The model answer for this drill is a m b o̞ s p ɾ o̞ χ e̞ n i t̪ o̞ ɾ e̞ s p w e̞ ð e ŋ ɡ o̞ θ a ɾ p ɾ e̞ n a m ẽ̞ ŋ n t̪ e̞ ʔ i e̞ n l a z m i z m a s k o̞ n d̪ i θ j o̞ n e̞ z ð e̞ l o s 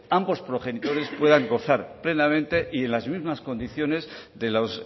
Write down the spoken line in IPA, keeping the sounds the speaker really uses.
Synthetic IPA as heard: a m b o̞ s p ɾ o̞ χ e̞ n i t̪ o̞ ɾ e̞ s p w e̞ ð a ŋ ɡ o̞ θ a ɾ p l e̞ n a m ẽ̞ n t̪ e̞ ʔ i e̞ n l a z m i z m a s k o̞ n d̪ i θ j o̞ n e̞ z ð e̞ l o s

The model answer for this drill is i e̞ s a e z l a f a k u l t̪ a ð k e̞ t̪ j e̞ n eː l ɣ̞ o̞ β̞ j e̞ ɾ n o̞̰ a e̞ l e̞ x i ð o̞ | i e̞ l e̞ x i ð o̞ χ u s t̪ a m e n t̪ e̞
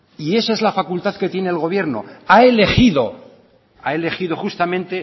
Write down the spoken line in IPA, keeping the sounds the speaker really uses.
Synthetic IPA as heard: i e̞ s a e z l a f a k u l t̪ a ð k e̞ t̪ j e̞ n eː l ɣ̞ o̞ β̞ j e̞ ɾ n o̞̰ a e̞ l e̞ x i ð o̞ | a e̞ l e̞ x i ð o̞ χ u s t̪ a m ẽ n t̪ e̞

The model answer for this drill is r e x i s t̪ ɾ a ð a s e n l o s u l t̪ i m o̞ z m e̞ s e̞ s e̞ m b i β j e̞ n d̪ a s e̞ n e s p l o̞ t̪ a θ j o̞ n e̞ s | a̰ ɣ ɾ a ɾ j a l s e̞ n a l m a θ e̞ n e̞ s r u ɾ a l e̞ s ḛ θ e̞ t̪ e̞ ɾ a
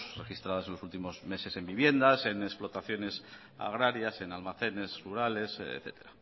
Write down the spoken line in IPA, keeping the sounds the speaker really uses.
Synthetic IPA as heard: r e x i s t̪ ɾ a ð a s e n l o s u l t̪ i m o̞ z m e̞ s e̞ s e̞ m b i β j e̞ n d̪ a s e̞ n e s p l o̞ t̪ a θ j o̞ n e̞ s | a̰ ɣ ɾ a ɾ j a s e̞ n a l m a θ e̞ n e̞ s r u ɾ a l e̞ s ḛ θ e̞ t̪ e̞ ɾ a

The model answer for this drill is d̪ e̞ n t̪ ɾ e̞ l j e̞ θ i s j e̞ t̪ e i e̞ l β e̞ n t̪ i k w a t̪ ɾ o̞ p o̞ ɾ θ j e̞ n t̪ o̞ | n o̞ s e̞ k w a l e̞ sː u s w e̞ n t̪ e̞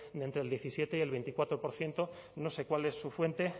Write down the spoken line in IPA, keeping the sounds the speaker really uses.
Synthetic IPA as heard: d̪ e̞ n t̪ ɾ e̞ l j e̞ θ i s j e̞ t̪ e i e̞ l β e̞ n t̪ i k w a t̪ ɾ o̞ p o̞ ɾ θ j e̞ n t̪ o̞ | n o̞ s e̞ k w a l e̞ sː u f w e̞ n t̪ e̞

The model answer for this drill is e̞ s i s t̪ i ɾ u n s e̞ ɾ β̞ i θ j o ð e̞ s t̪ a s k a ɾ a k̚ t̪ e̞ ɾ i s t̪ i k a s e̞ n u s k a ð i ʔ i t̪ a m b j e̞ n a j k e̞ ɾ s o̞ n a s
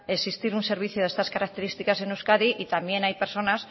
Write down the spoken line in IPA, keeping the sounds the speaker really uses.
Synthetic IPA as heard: e̞ s i s t̪ i ɾ u n s e̞ ɾ β̞ i θ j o ð e̞ s t̪ a s k a ɾ a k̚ t̪ e̞ ɾ i s t̪ i k a s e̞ n u s k a ð i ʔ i t̪ a m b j e̞ n a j p e̞ ɾ s o̞ n a s

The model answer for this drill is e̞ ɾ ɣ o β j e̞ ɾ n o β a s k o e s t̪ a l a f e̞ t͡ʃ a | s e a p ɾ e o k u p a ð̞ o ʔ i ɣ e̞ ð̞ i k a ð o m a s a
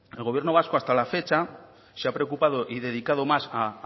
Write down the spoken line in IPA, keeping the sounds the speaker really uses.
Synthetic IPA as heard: e̞ l ɣ o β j e̞ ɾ n o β a s k o a s t̪ a l a f e̞ t͡ʃ a | s e a p ɾ e o k u p a ð̞ o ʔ i ð e̞ ð̞ i k a ð o m a s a

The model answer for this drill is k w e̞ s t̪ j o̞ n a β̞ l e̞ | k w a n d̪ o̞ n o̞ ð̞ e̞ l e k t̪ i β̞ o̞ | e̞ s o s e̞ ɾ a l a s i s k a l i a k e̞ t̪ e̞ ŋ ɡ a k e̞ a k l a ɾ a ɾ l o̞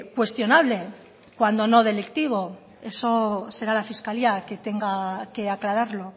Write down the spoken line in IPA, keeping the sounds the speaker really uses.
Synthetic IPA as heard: k w e̞ s t̪ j o̞ n a β̞ l e̞ | k w a n d̪ o̞ n o̞ ð̞ e̞ l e k t̪ i β̞ o̞ | e̞ s o s e̞ ɾ a l a f i s k a l i a k e̞ t̪ e̞ ŋ ɡ a k e̞ a k l a ɾ a ɾ l o̞

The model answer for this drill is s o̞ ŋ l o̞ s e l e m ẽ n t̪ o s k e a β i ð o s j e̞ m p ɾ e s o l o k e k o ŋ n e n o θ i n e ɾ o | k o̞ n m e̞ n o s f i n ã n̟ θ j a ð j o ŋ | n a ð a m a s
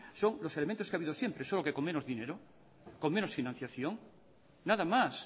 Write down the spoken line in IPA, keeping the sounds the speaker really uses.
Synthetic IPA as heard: s o̞ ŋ l o̞ s e l e m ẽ n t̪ o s k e a β i ð o s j e̞ m p ɾ e s o l o k e k o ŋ m e n o ð i n e ɾ o | k o̞ ŋ m e̞ n o s f i n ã n̟ θ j a θ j o ŋ | n a ð a m a s

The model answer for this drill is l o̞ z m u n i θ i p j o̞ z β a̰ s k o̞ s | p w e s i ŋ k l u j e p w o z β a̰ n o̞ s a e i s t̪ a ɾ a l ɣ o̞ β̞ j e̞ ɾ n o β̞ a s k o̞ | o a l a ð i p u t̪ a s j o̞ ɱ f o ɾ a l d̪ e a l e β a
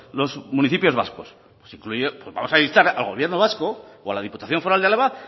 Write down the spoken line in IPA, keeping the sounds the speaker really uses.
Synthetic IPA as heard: l o̞ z m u n i θ i p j o̞ z β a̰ s k o̞ s | p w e s i ŋ k l u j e p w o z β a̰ m o̞ s a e i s t̪ a ɾ a l ɣ o̞ β̞ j e̞ ɾ n o β̞ a s k o̞ | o a l a ð i p u t̪ a θ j o̞ ɱ f o ɾ a l d̪ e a l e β a

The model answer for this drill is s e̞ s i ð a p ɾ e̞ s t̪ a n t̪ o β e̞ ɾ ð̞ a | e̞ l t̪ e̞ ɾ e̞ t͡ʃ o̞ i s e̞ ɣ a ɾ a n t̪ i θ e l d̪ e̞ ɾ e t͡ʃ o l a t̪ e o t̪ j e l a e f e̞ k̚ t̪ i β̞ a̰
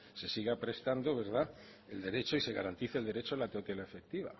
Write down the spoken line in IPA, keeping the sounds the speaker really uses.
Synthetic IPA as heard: s e̞ s i ɣ a p ɾ e̞ s t̪ a n d̪ o β e̞ ɾ ð̞ a | e̞ l d̪ e̞ ɾ e̞ t͡ʃ o̞ i s e̞ ɣ a ɾ a n t̪ i θ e l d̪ e̞ ɾ e t͡ʃ o l a t̪ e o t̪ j e l a e f e̞ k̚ t̪ i β̞ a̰

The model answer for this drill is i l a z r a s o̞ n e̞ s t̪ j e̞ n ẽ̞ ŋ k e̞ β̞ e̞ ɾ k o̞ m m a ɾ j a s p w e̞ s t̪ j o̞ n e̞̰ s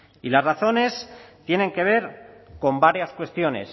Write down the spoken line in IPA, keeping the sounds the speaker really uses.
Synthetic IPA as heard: i l a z r a θ o̞ n e̞ s t̪ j e̞ n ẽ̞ ŋ k e̞ β̞ e̞ ɾ k o̞ m b a ɾ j a s k w e̞ s t̪ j o̞ n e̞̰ s

